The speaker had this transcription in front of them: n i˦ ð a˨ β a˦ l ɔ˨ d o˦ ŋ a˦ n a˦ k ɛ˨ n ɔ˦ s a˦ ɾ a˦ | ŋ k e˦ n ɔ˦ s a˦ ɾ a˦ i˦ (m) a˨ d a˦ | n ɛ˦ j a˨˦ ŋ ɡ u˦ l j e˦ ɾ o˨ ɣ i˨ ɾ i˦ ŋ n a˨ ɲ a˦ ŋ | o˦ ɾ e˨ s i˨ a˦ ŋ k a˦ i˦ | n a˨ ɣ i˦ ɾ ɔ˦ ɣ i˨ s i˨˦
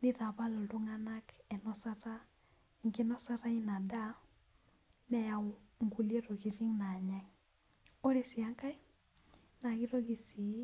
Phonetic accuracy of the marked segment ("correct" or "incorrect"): incorrect